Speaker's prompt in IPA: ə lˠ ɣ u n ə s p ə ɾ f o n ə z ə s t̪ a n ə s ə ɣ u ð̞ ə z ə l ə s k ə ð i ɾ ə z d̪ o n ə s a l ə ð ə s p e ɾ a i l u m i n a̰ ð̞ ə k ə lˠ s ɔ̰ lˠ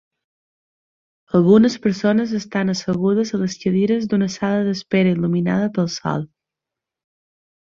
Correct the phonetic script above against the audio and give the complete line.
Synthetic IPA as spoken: ə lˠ ɣ u n ə s p ə ɾ s o n ə z ə s t̪ a n ə s ə ɣ u ð̞ ə z ə l ə s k ə ð i ɾ ə z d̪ u n ə s a l ə ð ə s p e ɾ ə i l u m i n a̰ ð̞ ə p ə lˠ s ɔ̰ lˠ

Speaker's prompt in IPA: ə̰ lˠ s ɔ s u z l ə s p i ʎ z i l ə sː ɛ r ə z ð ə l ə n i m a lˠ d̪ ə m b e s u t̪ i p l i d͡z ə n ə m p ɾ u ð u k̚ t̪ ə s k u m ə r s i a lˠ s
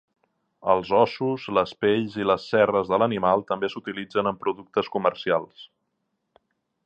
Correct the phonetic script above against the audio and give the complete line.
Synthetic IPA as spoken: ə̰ lˠ z ɔ s u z l ə s p e ʎ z i l ə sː ɛ r ə z ð ə l ə n i m a lˠ t̪ ə m b e s u t̪ i l i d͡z ə n ə m p ɾ u ð u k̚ t̪ ə s k u m ə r s i a lˠ s

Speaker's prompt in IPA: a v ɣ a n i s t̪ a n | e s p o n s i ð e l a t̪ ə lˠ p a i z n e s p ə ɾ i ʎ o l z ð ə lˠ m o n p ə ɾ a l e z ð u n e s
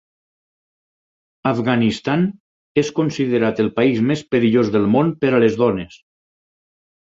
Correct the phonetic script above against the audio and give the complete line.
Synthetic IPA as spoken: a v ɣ a n i s t̪ a n | e s k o n s i ð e ɾ a t̪ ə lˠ p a i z m e s p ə ɾ i ʎ o z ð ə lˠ m o n p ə ɾ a l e z ð ɔ n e s

